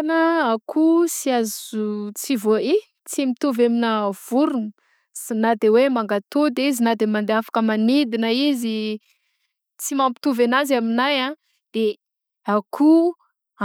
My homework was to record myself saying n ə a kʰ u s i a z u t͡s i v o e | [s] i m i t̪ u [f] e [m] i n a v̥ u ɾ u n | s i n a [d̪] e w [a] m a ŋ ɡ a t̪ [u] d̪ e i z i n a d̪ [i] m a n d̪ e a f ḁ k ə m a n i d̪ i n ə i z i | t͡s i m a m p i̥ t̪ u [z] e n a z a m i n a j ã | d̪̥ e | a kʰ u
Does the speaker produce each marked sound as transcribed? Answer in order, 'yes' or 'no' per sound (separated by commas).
no, no, yes, yes, no, no, no, no